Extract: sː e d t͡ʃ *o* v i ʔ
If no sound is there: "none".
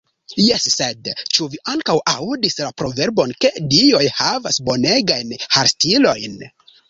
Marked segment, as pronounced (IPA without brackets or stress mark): u